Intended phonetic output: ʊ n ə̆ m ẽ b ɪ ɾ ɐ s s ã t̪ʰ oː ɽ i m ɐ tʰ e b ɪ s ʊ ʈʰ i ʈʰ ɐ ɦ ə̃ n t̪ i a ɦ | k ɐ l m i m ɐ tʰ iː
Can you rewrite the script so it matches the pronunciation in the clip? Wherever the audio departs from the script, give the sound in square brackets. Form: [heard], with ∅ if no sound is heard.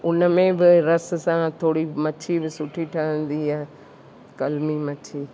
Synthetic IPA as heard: ʊ n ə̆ m ẽ b ɪ ɾ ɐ s s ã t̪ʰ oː ɽ i m ɐ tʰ [i] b ɪ s ʊ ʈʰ i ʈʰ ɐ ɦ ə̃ n [d̪] i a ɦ | k ɐ l m i m ɐ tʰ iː